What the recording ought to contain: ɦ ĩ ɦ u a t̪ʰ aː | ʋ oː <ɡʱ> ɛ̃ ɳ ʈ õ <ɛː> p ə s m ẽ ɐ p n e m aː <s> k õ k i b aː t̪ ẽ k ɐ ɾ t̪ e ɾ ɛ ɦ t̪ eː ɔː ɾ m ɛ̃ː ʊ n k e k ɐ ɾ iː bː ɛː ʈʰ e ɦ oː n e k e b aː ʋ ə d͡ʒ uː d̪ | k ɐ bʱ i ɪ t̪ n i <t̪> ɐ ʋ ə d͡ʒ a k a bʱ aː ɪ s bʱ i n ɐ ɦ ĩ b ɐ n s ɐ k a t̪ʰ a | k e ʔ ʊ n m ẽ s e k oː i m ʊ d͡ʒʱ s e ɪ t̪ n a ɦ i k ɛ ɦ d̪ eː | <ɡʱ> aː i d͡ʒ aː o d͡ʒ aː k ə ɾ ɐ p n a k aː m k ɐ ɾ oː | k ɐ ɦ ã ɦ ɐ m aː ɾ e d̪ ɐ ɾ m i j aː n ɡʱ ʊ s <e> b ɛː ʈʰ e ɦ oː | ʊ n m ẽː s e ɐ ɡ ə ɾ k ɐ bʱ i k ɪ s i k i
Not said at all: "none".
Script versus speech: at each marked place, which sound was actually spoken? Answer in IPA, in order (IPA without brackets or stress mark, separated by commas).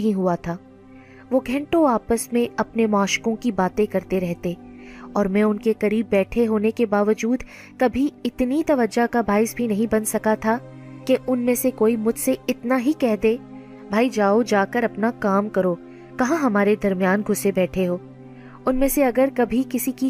ɡʱ, aː, ʃ, t̪, bʱ, e